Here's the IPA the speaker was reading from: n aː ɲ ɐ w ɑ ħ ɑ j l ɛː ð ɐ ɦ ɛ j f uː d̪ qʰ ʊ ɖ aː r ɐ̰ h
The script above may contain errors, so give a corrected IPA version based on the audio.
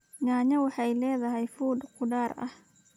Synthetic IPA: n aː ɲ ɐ w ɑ ħ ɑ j l ɛː ð ɐ ɦ ɛ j f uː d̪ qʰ ʊ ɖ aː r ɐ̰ h

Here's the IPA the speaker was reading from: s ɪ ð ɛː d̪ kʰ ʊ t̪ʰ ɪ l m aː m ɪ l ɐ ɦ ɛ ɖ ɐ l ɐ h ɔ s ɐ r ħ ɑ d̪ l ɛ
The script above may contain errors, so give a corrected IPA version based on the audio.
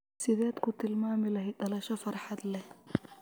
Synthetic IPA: s ɪ ð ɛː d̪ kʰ ʊ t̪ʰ ɪ l m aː m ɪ l ɐ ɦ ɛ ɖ ɐ l ɐ ʃ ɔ f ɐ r ħ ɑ d̪ l ɛ

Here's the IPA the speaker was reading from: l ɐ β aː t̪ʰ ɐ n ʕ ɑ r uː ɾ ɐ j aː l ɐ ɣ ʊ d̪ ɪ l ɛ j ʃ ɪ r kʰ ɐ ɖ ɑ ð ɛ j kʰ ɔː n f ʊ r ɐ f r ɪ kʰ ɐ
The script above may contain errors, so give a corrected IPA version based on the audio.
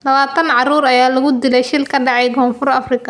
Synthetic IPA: l ɐ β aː t̪ʰ ɐ n ʕ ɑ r uː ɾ ɐ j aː l ɐ ɣ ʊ d̪ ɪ l ɛ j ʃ ɪ l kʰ ɐ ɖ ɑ ʕ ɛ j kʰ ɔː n f ʊ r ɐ f r ɪ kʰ ɐ

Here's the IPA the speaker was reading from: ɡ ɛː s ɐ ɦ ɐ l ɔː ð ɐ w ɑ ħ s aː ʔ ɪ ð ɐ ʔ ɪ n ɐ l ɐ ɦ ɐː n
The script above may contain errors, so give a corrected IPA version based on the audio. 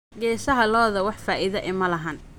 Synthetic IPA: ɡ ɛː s ɐ ɦ ɐ l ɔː ð ɐ w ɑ ħ f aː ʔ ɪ ð ɐ ʔ ɪ m ɐ l ɐ ɦ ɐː n

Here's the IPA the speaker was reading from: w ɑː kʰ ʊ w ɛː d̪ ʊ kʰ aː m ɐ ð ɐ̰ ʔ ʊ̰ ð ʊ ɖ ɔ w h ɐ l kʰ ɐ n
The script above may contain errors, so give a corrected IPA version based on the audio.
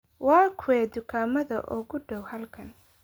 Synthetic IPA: w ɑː kʰ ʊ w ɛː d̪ ʊ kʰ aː m ɐ ð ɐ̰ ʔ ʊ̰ ɣ ʊ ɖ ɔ w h ɐ l kʰ ɐ n

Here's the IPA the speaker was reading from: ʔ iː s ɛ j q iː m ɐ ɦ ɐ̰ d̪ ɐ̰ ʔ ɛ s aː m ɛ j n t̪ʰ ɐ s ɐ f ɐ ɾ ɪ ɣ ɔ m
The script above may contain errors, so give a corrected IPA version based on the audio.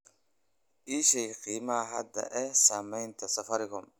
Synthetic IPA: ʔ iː ʃ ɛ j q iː m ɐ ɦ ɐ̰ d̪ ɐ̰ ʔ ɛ s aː m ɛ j n t̪ʰ ɐ s ɐ f ɐ ɾ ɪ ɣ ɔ m

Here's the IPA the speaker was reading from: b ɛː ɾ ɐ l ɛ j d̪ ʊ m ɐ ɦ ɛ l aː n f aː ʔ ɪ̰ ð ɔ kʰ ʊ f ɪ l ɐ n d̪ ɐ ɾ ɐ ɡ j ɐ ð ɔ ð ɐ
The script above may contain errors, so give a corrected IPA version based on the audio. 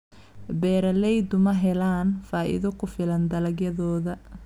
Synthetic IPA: b ɛː ɾ ɐ l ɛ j d̪ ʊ m ɐ ɦ ɛ l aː n f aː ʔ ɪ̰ ð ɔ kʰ ʊ f ɪ l ɐ n d̪ ɐ l ɐ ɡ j ɐ ð ɔː ð ɐ

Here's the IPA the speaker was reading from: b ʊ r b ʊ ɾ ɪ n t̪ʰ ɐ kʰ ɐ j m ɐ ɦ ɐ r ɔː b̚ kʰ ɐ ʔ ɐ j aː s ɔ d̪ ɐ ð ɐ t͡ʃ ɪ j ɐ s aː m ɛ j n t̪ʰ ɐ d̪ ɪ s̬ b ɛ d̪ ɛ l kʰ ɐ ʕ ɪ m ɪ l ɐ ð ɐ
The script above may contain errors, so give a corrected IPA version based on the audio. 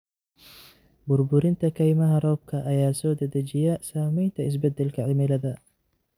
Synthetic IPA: b ʊ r b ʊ ɾ ɪ n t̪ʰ ɐ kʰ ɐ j m ɐ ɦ ɐ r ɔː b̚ kʰ ɐ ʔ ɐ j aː s ɔː d̪ ɐ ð ɐ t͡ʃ ɪ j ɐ s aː m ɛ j n t̪ʰ ɐ ɪ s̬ b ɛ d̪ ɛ l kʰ ɐ ʕ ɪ m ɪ l ɐ ð ɐ

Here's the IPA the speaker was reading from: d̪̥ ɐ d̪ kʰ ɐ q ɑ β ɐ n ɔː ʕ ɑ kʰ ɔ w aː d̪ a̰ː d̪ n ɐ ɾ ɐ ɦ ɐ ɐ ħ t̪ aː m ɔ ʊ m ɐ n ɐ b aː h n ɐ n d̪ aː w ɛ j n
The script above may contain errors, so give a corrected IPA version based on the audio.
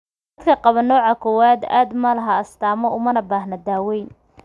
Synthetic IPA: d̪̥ ɐ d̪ kʰ ɐ q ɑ β ɐ n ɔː ʕ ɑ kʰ ɔ w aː d̪ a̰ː d̪ m ɐ l ɐ ɦ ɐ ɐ s t̪ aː m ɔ ʊ m ɐ n ɐ b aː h n ɐ d̪ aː w ɛ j n

